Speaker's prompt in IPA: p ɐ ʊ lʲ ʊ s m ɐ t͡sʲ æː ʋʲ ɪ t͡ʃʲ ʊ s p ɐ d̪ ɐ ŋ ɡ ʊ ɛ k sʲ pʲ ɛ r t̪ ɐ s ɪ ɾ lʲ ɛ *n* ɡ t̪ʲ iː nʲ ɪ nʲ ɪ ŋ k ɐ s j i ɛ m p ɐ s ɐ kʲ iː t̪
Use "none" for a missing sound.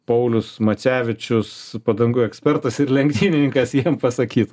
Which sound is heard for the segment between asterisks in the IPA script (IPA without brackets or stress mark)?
ŋ